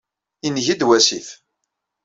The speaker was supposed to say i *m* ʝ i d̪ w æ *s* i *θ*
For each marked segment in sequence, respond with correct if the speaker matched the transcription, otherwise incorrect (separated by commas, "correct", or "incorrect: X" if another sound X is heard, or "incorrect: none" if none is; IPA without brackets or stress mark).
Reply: incorrect: n, correct, correct